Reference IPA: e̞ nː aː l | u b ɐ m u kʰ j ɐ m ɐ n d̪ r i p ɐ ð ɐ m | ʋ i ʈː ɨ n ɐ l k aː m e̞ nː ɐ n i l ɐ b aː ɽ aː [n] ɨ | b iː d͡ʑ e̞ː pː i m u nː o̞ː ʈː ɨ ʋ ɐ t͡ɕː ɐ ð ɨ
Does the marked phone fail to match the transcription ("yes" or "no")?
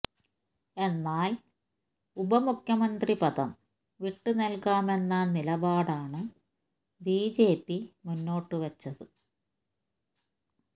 yes